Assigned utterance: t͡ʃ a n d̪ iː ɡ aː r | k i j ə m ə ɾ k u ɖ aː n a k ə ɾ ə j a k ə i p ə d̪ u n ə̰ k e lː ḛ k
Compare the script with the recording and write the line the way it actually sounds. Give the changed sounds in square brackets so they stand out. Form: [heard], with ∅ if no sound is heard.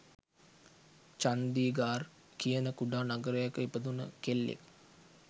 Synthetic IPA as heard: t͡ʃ a n d̪ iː ɡ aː r | k i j ə [n] ə [∅] k u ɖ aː n a [ɡ] ə ɾ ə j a k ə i p ə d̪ u n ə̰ k e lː ḛ k